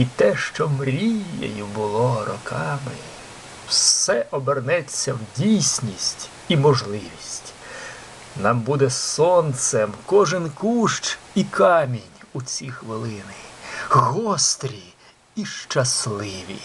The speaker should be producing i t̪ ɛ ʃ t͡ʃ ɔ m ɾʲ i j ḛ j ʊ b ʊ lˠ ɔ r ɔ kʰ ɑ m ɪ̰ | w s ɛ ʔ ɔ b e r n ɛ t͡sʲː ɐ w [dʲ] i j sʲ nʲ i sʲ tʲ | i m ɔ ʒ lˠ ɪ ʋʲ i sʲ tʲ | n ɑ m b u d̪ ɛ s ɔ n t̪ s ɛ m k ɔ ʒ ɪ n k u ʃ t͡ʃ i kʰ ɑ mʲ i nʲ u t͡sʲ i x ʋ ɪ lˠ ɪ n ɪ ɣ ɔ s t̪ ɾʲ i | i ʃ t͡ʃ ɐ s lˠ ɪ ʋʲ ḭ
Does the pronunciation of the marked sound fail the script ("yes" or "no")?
no